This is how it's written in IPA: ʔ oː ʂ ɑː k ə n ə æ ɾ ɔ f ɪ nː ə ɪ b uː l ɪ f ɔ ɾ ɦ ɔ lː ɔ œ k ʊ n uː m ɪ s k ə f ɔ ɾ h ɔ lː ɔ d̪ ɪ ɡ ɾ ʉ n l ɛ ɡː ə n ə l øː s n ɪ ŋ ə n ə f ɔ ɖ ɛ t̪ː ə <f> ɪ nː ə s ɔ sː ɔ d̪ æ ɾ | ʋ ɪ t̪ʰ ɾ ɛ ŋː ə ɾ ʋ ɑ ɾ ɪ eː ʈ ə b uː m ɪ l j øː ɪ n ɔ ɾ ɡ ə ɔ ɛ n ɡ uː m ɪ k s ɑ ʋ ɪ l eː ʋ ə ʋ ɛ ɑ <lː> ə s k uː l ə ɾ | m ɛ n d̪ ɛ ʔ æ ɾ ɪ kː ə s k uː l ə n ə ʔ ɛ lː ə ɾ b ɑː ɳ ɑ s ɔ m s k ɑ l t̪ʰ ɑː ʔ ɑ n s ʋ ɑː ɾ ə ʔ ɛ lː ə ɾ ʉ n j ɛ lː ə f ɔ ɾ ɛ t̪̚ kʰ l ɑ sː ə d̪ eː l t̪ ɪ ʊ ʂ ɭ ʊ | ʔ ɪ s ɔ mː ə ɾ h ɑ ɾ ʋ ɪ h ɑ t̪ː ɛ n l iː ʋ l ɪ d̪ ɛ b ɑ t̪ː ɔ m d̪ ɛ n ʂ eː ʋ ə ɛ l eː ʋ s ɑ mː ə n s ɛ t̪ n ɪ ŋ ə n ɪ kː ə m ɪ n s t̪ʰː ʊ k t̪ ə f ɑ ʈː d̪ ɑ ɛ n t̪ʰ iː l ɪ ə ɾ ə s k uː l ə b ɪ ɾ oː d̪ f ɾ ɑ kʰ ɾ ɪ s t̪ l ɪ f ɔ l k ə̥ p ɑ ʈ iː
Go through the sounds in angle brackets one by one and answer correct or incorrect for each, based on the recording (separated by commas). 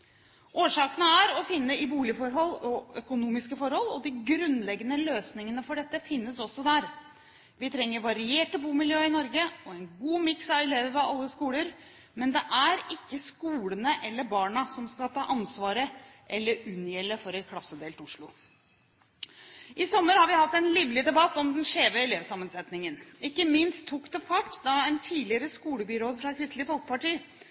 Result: correct, correct